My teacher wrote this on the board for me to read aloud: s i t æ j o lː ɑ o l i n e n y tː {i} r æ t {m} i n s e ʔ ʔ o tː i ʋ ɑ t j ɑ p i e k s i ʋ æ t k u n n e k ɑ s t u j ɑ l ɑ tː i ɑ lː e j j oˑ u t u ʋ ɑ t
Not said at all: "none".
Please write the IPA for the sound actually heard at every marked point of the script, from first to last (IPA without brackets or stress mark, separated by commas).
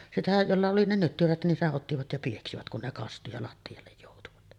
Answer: y, n